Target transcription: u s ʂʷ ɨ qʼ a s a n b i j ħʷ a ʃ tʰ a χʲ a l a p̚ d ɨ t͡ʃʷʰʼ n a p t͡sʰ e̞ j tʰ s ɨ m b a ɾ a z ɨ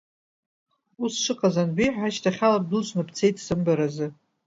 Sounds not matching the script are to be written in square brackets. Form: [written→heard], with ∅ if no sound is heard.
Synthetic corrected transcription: u s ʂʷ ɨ qʼ a [s→z] a n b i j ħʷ a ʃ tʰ a χʲ a l a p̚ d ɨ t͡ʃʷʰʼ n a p t͡sʰ e̞ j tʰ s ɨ m b a ɾ a z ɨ